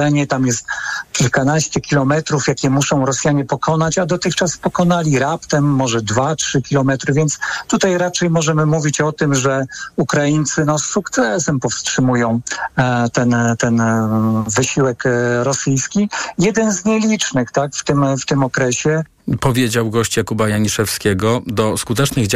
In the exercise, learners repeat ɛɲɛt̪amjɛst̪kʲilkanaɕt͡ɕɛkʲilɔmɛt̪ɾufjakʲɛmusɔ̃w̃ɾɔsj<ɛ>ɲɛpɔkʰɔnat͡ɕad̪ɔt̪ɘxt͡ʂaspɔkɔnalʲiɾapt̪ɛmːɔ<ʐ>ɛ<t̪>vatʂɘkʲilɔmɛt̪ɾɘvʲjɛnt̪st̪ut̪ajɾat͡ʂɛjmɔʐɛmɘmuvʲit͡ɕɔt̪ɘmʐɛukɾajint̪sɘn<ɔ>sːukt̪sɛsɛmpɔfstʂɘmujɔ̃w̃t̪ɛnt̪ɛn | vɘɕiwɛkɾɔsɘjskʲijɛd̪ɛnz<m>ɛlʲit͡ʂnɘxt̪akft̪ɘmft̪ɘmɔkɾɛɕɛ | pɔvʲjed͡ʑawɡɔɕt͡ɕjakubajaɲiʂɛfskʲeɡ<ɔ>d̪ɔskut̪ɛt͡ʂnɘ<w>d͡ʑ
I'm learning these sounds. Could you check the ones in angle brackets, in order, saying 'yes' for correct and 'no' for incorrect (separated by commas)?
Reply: no, yes, no, yes, no, yes, no